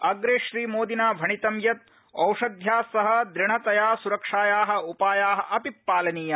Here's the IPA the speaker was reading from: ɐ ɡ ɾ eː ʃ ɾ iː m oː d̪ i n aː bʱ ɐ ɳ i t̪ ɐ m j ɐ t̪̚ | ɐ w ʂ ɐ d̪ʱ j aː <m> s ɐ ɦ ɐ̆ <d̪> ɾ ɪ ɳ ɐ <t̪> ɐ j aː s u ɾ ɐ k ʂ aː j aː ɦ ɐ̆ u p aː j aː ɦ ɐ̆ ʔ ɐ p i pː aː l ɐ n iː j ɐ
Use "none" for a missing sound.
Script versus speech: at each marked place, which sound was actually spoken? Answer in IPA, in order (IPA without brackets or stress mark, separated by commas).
none, d̪, t̪